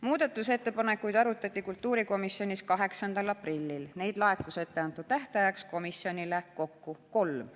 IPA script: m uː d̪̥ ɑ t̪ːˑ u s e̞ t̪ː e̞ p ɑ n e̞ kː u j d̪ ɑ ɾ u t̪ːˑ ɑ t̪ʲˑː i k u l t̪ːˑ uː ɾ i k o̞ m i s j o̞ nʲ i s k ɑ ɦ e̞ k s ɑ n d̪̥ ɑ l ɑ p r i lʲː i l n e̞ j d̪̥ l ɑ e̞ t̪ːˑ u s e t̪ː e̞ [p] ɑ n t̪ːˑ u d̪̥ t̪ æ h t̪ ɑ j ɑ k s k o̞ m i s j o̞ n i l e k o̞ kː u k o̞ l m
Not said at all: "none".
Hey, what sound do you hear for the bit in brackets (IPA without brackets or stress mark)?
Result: none